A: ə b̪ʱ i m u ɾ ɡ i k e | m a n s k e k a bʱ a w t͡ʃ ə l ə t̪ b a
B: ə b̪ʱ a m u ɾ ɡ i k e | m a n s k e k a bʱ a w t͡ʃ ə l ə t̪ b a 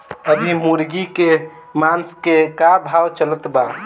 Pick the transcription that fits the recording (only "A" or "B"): A